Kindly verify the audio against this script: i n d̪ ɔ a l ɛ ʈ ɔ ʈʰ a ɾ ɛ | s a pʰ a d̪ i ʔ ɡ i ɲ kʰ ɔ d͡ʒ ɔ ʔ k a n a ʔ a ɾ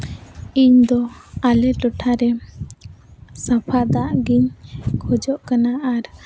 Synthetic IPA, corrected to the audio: i ɲ d̪ ɔ a l ɛ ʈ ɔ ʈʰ a ɾ ɛ | s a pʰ a d̪ a ʔ ɡ i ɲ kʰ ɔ d͡ʒ ɔ ʔ k a n a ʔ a ɾ